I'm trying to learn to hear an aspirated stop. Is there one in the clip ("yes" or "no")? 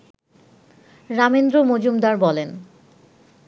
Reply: no